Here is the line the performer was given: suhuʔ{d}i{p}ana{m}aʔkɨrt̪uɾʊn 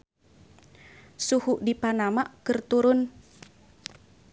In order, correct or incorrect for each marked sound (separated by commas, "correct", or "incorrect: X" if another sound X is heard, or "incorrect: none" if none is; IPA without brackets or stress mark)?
correct, correct, correct